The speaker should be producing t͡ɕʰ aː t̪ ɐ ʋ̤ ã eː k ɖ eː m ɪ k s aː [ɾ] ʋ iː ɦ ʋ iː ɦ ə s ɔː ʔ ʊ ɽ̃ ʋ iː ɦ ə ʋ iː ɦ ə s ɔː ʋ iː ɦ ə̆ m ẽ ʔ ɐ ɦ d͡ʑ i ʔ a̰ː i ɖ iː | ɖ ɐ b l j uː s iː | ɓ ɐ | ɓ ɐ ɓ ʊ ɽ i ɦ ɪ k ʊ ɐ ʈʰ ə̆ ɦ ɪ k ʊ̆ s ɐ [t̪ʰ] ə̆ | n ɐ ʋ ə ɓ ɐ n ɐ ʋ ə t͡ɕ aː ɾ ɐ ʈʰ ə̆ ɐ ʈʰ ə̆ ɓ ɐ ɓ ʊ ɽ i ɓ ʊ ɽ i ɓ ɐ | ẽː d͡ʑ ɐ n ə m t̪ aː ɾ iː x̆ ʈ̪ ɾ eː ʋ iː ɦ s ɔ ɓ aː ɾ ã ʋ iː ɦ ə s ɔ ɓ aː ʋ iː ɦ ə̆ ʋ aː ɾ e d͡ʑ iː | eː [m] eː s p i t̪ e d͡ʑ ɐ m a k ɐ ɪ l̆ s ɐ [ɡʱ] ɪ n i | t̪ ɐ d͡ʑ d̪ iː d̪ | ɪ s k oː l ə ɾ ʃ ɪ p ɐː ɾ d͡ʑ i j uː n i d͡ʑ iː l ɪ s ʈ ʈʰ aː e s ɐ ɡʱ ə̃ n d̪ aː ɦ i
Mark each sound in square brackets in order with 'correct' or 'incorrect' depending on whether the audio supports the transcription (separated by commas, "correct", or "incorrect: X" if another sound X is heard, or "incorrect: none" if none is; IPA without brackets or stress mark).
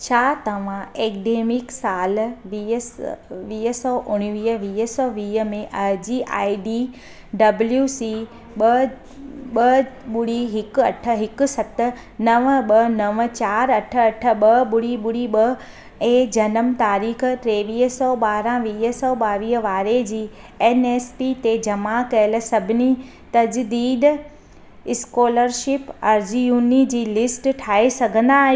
incorrect: l, incorrect: t̪, incorrect: n, incorrect: bʱ